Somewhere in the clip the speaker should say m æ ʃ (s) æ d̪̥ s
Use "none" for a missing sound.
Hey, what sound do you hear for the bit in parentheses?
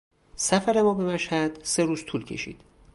h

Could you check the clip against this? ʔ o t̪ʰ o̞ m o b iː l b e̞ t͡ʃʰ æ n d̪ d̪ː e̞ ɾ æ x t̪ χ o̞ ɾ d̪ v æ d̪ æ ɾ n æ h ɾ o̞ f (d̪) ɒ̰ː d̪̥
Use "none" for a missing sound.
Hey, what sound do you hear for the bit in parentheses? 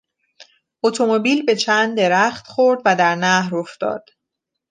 t̪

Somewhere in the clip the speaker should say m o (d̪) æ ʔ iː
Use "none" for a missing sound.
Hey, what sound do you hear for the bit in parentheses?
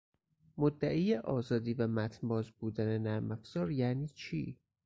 d̪ː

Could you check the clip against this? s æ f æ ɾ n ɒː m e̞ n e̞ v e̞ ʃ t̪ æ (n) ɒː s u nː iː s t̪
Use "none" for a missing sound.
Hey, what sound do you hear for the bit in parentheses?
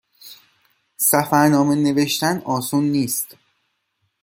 n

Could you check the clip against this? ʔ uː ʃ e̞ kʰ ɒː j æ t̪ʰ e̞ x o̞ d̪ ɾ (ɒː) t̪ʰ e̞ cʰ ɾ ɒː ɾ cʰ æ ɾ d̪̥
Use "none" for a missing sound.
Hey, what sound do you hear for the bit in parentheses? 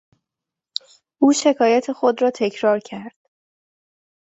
ɒː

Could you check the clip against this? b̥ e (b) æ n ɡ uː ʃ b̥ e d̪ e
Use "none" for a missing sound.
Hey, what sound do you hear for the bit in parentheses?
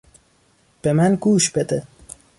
m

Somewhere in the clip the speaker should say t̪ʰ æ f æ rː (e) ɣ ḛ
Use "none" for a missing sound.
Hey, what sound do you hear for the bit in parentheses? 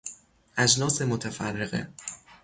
e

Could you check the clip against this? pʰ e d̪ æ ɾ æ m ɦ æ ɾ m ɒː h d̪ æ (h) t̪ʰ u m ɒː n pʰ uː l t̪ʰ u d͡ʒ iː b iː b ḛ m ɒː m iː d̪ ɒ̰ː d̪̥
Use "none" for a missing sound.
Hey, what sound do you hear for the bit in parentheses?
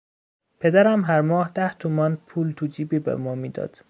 h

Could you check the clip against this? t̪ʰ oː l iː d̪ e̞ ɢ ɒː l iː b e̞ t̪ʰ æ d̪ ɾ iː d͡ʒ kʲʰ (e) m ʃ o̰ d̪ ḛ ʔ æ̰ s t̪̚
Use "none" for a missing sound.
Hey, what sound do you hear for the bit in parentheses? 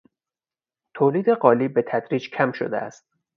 æ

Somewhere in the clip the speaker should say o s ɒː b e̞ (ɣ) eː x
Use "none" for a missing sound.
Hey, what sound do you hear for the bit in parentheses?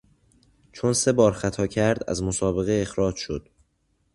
ɣ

